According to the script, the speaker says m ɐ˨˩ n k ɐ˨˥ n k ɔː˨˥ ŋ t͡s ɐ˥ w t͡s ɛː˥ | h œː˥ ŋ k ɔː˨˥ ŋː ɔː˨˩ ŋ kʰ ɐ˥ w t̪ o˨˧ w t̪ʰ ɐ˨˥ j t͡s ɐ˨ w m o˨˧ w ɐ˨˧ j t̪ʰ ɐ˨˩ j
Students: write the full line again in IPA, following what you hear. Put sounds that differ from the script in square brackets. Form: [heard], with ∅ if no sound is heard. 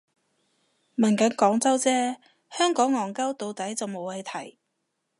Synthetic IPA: m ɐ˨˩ n k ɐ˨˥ n k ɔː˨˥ ŋ t͡s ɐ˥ w t͡s ɛː˥ | h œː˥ ŋ k ɔː˨˥ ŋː ɔː˨˩ ŋ [k] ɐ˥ w t̪ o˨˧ w [t̪] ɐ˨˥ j t͡s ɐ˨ w m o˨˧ w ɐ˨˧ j t̪ʰ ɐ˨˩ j